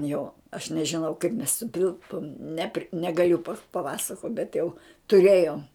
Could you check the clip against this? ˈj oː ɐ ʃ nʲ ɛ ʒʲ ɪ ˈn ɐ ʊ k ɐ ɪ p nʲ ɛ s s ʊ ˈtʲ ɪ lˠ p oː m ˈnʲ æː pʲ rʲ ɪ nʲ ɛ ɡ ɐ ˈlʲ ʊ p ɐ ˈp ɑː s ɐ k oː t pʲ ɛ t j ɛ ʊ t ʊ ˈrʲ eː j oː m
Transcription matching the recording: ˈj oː ɐ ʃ nʲ ɛ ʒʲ ɪ ˈn ɐ ʊ k ɐ ɪ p mʲ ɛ s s ʊ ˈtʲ ɪ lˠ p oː m ˈnʲ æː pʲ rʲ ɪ nʲ ɛ ɡ ɐ ˈlʲ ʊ p ɐ ˈp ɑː s ɐ k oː t bʲ ɛ t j ɛ ʊ t ʊ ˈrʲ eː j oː m